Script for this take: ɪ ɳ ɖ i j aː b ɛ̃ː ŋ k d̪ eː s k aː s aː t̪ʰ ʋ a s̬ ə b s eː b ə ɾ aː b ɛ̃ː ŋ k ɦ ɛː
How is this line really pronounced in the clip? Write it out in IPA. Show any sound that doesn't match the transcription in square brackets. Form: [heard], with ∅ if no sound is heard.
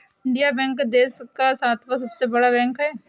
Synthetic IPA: ɪ ɳ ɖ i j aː b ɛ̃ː ŋ k d̪ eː s k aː s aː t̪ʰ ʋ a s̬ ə b s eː b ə [ɽ] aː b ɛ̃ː ŋ k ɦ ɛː